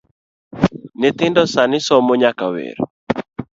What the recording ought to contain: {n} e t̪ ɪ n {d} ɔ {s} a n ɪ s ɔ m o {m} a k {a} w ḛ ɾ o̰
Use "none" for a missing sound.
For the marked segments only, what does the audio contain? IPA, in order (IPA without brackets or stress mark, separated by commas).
n, d, s, ɲ, a